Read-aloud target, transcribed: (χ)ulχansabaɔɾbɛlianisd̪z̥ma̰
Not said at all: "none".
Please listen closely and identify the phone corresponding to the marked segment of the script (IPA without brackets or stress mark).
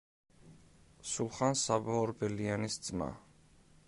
s